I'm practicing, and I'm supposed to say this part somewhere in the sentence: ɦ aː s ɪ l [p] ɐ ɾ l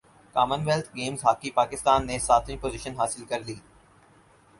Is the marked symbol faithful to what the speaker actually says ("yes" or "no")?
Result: no